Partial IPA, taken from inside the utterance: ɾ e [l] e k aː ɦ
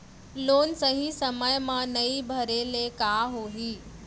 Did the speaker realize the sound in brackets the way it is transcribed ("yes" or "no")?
yes